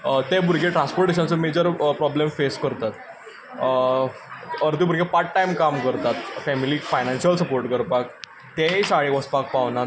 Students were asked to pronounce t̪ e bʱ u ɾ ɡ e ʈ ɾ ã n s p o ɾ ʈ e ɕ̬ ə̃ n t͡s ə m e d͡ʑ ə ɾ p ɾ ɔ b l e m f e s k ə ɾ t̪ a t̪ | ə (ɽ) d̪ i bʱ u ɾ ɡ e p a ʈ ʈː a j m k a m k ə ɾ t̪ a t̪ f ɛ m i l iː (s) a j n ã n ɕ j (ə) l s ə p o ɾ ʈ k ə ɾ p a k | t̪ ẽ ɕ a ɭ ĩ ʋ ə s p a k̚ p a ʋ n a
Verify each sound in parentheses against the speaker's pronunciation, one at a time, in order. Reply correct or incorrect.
incorrect, incorrect, correct

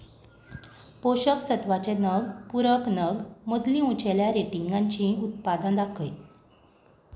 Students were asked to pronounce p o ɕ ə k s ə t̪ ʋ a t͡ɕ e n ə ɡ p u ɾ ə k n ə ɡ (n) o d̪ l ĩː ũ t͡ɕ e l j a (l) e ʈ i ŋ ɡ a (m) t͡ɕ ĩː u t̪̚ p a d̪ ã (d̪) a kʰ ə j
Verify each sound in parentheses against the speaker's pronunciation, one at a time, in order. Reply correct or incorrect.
incorrect, incorrect, incorrect, correct

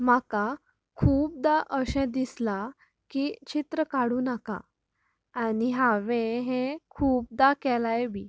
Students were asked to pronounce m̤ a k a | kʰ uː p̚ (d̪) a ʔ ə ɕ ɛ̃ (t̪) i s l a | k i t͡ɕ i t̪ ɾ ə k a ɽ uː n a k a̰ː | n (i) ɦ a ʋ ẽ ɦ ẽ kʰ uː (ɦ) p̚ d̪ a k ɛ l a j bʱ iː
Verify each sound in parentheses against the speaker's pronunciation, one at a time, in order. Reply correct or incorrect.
correct, incorrect, correct, incorrect

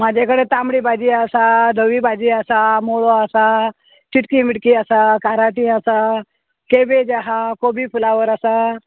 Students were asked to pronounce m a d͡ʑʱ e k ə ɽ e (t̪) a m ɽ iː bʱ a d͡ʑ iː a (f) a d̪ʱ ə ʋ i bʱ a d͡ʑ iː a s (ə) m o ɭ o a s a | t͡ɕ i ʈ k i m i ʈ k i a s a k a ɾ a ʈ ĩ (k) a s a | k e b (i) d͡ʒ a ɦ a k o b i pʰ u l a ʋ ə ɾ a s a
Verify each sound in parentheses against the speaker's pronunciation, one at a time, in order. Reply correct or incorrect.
correct, incorrect, incorrect, incorrect, incorrect

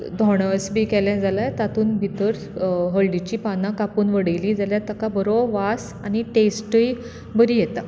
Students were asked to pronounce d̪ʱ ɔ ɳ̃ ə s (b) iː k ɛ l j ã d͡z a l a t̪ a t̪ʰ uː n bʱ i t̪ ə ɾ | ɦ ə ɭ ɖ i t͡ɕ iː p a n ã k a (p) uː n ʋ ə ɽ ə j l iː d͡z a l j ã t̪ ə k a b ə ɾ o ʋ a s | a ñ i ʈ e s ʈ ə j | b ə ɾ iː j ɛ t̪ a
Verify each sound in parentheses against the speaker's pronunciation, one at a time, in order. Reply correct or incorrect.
correct, correct

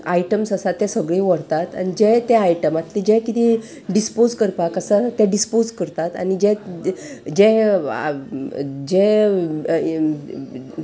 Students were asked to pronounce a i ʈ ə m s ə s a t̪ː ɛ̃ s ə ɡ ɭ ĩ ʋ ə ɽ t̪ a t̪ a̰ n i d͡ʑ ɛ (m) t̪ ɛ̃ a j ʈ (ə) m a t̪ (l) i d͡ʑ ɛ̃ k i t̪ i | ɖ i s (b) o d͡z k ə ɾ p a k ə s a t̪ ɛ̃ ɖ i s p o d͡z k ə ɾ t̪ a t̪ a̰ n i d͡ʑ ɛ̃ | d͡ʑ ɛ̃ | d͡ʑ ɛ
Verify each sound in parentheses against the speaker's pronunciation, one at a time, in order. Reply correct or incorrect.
incorrect, correct, correct, incorrect

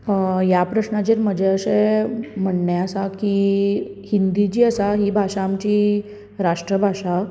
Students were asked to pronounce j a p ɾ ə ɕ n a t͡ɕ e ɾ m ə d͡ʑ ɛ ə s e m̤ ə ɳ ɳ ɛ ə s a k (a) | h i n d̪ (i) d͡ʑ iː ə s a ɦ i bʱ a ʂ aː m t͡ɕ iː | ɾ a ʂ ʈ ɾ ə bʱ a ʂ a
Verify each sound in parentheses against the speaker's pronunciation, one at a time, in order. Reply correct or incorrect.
incorrect, correct

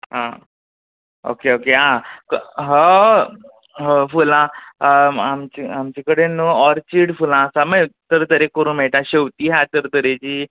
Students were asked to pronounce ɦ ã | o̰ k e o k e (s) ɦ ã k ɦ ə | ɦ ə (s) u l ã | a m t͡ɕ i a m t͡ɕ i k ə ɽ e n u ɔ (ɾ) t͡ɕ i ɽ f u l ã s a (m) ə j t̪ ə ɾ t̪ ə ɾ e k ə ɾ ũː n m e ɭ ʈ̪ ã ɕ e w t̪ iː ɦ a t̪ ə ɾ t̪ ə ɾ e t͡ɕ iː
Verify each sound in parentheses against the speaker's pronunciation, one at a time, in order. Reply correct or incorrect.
incorrect, incorrect, correct, correct

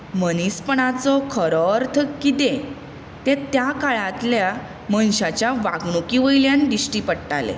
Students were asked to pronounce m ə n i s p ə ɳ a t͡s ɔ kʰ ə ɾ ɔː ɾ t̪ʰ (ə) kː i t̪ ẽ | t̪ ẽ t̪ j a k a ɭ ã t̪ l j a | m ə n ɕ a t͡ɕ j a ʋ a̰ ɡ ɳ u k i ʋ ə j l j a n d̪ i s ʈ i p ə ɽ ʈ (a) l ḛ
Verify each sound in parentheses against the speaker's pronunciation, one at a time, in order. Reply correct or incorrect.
correct, correct

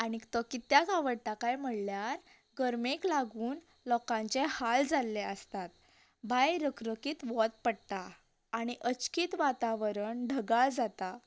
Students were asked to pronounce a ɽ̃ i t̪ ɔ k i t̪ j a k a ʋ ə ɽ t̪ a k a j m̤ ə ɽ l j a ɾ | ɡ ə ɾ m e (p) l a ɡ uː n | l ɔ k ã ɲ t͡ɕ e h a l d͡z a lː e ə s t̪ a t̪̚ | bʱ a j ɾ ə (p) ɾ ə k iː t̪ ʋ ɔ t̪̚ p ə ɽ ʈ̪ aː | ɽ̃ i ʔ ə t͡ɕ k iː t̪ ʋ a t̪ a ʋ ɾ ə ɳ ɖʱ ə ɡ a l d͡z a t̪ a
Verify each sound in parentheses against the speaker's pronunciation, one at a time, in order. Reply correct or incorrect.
incorrect, incorrect

